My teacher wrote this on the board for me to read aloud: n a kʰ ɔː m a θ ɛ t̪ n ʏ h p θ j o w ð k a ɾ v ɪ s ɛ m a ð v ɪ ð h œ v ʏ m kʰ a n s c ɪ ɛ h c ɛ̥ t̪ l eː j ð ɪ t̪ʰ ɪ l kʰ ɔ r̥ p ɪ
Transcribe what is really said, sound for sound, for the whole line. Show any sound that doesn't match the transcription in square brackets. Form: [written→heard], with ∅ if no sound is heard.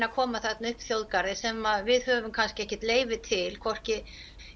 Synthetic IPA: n a kʰ ɔː m a θ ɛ t̪ n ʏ h p θ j o w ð k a ɾ [v→ð] ɪ s ɛ m a ð v ɪ ð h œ v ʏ m kʰ a n s c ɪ ɛ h c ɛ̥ t̪ l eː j [ð→v] ɪ t̪ʰ ɪ l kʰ ɔ r̥ [p→c] ɪ